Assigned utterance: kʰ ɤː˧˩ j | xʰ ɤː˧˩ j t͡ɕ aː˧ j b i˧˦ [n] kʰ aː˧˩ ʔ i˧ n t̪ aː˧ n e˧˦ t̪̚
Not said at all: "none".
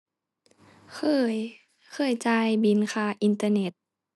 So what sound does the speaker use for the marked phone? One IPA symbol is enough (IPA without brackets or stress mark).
n